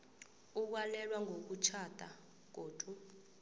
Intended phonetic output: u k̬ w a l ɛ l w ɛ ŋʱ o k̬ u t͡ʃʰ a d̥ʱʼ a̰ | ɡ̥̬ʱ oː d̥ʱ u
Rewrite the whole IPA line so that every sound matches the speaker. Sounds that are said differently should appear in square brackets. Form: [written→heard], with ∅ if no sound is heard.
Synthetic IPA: u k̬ w a l ɛ l w [ɛ→a] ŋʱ o k̬ u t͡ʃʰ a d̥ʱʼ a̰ | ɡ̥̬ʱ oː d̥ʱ u